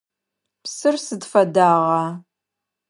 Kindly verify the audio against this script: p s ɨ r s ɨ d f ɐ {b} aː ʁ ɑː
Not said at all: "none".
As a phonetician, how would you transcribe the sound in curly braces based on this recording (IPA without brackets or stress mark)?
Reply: d